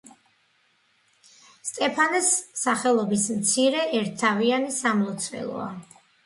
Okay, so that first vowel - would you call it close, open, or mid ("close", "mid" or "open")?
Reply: mid